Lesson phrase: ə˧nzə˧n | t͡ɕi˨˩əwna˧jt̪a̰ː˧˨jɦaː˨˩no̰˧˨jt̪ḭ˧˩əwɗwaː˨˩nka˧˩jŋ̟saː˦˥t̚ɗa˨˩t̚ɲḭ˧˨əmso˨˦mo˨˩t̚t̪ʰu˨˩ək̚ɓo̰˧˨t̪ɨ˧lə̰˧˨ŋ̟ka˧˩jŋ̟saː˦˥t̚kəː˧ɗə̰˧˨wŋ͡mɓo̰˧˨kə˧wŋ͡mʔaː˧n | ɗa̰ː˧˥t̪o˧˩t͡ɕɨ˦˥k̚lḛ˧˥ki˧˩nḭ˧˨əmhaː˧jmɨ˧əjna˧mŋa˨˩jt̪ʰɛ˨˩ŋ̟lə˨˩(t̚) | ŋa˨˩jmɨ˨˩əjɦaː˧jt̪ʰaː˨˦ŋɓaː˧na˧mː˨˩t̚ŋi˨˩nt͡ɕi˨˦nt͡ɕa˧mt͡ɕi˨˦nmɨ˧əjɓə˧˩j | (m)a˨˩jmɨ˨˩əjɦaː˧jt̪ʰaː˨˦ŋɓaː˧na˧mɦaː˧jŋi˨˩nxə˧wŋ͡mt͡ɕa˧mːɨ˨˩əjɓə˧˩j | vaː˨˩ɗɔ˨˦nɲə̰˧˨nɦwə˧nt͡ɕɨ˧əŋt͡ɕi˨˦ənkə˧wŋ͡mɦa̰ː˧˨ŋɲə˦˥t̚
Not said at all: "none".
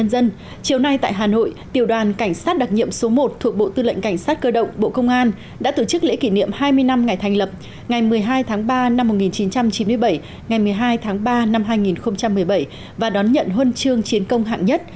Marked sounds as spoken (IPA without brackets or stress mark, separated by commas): p̚, ŋ